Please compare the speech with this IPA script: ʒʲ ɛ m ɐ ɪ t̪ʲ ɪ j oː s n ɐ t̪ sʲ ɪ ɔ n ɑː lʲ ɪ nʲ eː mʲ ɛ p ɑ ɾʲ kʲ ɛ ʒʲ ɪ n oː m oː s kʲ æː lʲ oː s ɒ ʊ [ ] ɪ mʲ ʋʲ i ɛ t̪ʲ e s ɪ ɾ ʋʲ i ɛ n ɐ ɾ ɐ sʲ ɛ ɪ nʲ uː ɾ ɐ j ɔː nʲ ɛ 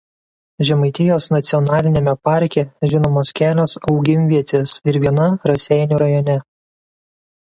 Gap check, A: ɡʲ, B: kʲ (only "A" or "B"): A